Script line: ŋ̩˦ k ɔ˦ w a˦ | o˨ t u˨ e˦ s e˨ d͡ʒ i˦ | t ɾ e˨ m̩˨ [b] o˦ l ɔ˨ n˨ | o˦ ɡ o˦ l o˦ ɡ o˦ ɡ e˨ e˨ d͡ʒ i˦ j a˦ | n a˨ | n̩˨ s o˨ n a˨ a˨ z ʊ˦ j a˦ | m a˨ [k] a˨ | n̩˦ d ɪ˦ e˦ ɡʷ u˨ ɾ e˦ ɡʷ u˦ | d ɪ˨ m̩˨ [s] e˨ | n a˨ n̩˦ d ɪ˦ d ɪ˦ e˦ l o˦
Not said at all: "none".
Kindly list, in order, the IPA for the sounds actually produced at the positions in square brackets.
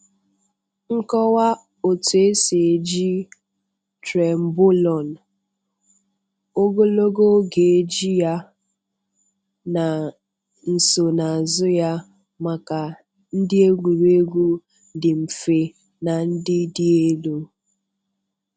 b, k, f

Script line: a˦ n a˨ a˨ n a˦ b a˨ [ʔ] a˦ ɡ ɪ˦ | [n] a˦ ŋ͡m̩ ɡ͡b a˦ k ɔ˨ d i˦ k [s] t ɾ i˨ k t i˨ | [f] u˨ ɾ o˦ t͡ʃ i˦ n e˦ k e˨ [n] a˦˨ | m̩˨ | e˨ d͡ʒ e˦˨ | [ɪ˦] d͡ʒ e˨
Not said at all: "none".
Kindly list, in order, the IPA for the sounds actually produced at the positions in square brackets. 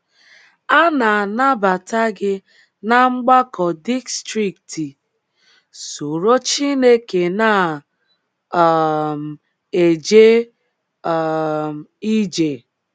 t, n, s, s, n, i˦

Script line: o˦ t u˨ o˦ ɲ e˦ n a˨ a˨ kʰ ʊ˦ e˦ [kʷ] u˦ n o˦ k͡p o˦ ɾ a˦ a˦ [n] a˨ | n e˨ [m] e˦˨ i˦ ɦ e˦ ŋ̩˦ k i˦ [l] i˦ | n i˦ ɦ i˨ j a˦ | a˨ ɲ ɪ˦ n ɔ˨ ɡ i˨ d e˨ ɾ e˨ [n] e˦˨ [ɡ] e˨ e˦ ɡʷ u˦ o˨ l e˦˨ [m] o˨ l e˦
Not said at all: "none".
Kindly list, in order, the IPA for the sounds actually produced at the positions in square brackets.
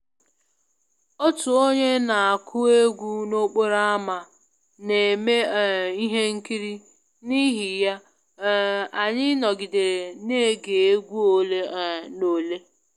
ɡʷ, m, m, ɾ, n, ɡ, n

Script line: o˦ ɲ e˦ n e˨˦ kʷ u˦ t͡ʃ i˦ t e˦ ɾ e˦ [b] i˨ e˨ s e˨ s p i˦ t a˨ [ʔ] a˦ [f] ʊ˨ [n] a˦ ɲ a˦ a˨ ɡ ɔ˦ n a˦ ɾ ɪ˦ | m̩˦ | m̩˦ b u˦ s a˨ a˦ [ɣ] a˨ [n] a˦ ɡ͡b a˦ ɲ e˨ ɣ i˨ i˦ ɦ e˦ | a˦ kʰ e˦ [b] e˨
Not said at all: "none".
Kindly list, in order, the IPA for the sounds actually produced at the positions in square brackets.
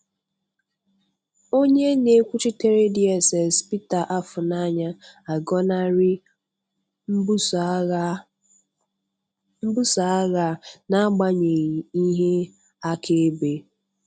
d, ʔ, f, n, ɣ, n, b

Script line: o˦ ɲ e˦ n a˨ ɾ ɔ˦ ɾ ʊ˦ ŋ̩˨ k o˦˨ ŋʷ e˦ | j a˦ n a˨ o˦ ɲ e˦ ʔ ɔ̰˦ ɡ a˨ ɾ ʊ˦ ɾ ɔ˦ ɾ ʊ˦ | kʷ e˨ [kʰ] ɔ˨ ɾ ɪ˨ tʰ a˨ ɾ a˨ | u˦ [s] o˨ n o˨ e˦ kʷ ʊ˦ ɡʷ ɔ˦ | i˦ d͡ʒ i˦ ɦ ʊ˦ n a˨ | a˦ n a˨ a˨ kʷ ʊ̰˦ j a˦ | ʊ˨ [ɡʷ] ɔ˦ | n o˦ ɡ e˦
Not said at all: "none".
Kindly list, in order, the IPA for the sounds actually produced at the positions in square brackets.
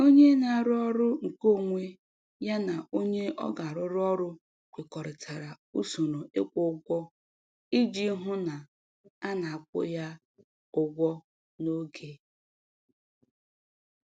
k, s, ɡʷ

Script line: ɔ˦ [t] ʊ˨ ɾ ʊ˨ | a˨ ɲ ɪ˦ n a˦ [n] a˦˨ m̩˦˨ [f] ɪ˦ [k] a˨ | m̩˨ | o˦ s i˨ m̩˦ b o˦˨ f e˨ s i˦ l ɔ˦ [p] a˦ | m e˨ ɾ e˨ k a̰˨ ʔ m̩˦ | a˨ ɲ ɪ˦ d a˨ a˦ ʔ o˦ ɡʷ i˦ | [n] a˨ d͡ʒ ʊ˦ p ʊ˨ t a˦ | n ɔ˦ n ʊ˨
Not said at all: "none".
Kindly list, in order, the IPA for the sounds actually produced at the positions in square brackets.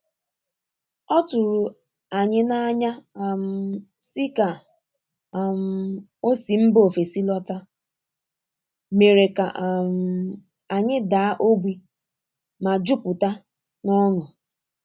t, ɲ, s, k, t, m

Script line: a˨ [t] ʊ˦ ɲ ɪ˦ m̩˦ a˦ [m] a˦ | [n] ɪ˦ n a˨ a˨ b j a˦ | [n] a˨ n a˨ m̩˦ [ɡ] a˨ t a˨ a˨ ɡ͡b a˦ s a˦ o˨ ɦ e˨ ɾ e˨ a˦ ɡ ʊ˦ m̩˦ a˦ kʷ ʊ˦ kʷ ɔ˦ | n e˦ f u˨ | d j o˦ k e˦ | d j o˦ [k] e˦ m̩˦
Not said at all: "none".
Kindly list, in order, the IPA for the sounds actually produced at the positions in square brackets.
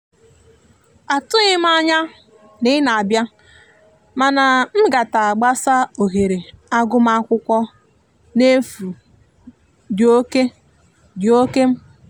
t, ɲ, n, m, ɡ, k

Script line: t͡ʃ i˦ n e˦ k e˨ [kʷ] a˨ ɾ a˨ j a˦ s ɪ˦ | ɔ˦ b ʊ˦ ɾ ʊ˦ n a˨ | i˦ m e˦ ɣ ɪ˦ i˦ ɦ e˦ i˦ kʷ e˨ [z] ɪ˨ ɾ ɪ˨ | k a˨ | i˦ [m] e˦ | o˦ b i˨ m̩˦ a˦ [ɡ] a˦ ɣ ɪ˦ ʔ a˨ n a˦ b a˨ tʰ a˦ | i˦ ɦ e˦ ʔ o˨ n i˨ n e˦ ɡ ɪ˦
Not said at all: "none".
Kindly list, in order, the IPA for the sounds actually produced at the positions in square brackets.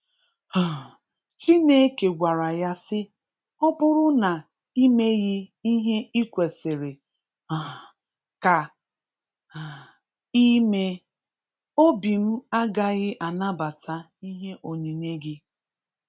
ɡʷ, s, m, ɡ

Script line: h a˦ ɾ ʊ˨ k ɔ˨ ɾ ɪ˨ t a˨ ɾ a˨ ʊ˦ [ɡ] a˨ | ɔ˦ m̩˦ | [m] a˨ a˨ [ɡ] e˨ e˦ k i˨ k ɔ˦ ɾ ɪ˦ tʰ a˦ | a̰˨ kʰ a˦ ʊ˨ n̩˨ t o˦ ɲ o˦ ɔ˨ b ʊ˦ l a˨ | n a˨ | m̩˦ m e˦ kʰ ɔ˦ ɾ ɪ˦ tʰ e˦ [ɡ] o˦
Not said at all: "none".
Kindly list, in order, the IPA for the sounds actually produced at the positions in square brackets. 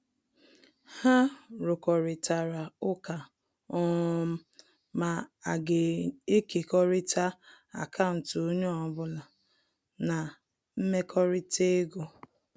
k, m, ɡ, ɡ

